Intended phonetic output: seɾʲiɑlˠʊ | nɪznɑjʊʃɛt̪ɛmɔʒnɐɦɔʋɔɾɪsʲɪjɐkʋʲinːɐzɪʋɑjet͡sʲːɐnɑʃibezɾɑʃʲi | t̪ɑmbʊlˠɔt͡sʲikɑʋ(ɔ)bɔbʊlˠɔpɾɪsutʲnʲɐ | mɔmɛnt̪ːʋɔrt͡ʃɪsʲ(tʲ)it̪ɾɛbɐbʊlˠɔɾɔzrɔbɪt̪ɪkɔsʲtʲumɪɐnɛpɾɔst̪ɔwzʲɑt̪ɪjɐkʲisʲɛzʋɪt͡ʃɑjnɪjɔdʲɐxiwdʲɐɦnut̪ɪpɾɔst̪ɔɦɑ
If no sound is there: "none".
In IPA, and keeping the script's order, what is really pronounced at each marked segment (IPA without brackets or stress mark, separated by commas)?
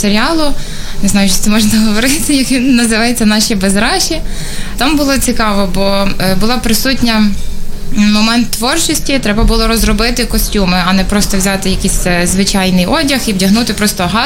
ɔ, tʲ